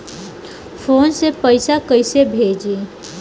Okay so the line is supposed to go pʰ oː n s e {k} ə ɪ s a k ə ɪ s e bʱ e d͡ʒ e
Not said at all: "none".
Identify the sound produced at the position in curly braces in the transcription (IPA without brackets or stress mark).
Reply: p